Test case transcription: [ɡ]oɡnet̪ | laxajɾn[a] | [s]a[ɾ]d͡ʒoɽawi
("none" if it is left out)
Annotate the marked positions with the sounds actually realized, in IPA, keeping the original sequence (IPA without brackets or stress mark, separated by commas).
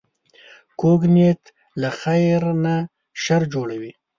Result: k, a, ʃ, ɾ